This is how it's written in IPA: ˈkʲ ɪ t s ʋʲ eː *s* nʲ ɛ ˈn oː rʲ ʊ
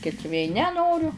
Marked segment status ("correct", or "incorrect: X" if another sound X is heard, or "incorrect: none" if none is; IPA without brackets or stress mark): incorrect: none